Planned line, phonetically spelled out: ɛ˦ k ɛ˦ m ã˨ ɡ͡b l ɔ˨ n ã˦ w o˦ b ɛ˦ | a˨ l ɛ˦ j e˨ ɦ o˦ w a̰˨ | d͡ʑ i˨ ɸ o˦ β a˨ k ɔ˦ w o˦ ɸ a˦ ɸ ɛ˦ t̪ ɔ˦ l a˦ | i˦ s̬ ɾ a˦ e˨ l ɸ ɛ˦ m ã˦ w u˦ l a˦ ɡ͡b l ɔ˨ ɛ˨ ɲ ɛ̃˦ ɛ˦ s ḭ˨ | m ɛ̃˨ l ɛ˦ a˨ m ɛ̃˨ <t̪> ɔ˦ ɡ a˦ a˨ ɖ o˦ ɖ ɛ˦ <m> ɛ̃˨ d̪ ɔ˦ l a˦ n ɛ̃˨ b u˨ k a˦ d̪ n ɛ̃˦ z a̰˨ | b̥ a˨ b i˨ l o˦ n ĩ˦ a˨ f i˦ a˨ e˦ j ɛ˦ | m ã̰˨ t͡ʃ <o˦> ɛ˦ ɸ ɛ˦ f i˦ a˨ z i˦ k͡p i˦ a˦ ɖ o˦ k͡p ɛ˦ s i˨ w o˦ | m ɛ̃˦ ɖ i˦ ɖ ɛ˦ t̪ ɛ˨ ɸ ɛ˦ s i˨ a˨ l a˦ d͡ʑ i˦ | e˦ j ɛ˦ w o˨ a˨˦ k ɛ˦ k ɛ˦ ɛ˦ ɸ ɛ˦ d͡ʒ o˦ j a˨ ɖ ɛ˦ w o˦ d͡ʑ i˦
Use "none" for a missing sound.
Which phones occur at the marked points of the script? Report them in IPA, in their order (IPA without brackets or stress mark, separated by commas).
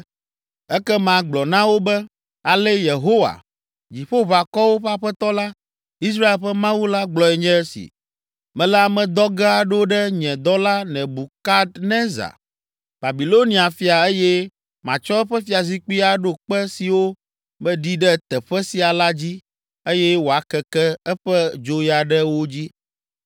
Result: d̪, ɲ, ɔ˦